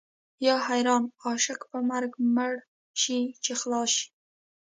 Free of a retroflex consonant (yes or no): no